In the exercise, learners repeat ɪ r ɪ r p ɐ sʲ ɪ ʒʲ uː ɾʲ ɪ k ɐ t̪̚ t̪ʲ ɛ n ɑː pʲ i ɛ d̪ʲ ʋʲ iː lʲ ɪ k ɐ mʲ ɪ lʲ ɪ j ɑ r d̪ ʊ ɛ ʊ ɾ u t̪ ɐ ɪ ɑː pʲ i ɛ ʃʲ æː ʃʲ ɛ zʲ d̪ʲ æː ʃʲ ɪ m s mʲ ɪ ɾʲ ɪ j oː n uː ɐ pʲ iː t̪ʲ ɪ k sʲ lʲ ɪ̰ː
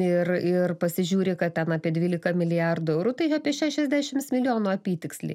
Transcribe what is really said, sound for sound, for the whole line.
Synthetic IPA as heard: ɪ r ɪ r p ɐ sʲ ɪ ʒʲ uː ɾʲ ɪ k ɐ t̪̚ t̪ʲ ɛ n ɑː pʲ i ɛ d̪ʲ ʋʲ iː lʲ ɪ k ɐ mʲ ɪ lʲ ɪ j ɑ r d̪ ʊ ɛ ʊ ɾ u t̪ ɐ ɪ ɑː pʲ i ɛ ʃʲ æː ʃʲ ɛ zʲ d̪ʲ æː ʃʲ ɪ m s mʲ ɪ lʲ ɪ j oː n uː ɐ pʲ iː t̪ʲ ɪ k sʲ lʲ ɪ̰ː